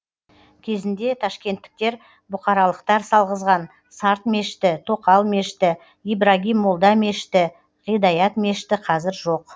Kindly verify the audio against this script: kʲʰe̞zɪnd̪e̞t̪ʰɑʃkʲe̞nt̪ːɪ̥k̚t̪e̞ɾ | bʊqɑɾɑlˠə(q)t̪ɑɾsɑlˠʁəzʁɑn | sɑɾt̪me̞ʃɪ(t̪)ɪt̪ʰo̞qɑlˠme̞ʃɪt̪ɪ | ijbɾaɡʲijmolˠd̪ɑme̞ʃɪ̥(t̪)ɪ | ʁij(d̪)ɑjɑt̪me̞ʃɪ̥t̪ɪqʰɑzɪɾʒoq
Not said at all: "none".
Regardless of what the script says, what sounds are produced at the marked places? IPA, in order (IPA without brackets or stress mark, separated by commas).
q, t̪, t̪, d̪